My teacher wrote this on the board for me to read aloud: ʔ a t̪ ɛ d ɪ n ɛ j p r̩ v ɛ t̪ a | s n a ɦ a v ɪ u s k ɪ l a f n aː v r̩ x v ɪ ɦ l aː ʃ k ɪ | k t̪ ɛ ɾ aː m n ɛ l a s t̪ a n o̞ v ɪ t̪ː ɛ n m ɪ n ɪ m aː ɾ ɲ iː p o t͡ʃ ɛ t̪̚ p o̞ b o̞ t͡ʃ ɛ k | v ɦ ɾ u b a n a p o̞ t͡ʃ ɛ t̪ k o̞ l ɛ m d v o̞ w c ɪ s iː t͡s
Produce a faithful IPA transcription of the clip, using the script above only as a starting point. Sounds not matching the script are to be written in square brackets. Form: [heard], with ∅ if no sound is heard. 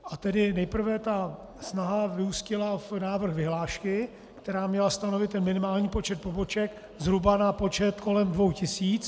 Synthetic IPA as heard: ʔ a t̪ ɛ d ɪ n ɛ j p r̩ v ɛ t̪ a | s n a ɦ a v ɪ u s [c] ɪ l a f n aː v r̩ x v ɪ ɦ l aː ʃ k ɪ | k t̪ ɛ ɾ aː m [ɲ] ɛ l a s t̪ a n o̞ v ɪ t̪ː ɛ n m ɪ n ɪ m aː [l] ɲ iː p o t͡ʃ ɛ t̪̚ p o̞ b o̞ t͡ʃ ɛ k | [z] ɦ ɾ u b a n a p o̞ t͡ʃ ɛ t̪ k o̞ l ɛ m d v o̞ w c ɪ s iː t͡s